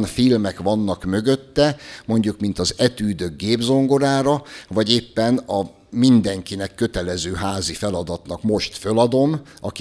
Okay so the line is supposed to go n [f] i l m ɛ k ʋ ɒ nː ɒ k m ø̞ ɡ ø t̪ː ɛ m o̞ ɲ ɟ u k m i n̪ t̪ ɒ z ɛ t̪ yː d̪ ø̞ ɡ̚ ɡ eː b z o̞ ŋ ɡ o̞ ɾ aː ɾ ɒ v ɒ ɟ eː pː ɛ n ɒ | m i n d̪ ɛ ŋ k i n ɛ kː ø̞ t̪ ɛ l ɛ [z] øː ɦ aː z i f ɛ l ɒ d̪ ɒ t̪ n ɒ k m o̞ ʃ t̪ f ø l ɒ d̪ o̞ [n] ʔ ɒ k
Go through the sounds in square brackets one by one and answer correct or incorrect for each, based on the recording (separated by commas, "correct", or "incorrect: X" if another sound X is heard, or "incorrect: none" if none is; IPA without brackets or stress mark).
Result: correct, correct, incorrect: m